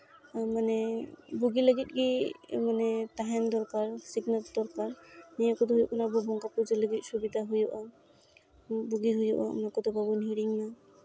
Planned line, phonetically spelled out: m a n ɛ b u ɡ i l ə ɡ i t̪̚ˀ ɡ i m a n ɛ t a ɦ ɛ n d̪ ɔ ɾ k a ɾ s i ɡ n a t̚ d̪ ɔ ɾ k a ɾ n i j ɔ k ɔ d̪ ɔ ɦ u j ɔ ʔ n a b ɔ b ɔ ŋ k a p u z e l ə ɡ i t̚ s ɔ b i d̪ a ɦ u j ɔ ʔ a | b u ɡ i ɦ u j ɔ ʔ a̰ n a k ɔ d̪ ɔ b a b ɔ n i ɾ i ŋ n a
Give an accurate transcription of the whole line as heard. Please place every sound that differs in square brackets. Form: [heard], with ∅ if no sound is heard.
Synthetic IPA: m a n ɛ b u ɡ i l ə ɡ i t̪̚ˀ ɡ i m a n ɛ t a ɦ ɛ n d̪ ɔ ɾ k a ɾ s i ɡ n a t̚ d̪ ɔ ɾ k a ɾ n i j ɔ k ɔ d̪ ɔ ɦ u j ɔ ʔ n a b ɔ b ɔ ŋ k a p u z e l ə ɡ i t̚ s [u] b i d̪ a ɦ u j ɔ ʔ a | b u ɡ i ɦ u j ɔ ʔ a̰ n a k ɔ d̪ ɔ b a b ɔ n i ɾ i ŋ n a